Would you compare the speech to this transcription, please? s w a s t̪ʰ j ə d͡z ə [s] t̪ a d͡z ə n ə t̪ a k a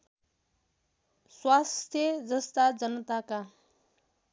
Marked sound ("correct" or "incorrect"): correct